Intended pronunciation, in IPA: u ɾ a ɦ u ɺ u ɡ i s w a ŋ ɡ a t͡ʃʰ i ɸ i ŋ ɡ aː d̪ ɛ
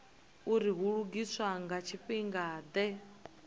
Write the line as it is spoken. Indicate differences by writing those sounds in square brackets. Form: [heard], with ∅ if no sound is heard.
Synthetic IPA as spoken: u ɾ [i] ɦ u ɺ u ɡ i s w a ŋ ɡ a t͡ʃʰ i ɸ i ŋ ɡ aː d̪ ɛ